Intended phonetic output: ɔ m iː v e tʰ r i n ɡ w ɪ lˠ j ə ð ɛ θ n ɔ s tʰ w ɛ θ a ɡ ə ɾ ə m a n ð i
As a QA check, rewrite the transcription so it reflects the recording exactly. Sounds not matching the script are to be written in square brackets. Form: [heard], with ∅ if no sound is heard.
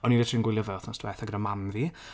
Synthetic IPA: ɔ [n] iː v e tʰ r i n ɡ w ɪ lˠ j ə [v] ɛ θ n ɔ s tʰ w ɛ θ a ɡ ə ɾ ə m a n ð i